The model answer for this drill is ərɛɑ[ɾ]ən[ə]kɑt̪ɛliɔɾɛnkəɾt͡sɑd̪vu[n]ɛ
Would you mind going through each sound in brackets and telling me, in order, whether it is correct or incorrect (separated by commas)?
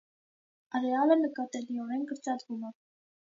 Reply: incorrect, correct, incorrect